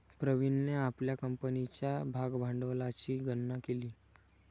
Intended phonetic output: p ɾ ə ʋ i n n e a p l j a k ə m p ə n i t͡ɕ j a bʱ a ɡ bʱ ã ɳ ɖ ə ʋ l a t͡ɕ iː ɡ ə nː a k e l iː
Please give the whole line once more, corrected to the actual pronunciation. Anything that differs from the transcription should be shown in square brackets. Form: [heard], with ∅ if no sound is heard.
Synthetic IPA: p ɾ ə ʋ i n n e a p l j a k ə m p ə n i t͡ɕ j a bʱ a ɡ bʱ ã ɳ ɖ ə ʋ l a t͡ɕ iː ɡ ə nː a k e l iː